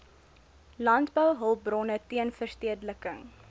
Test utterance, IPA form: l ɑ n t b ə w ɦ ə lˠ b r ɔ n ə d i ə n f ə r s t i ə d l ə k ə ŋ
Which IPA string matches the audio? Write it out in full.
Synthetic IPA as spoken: l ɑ n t b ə w ɦ ə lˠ b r ɔ n ə t i ə n f ə r s t i ə d l ə k ə ŋ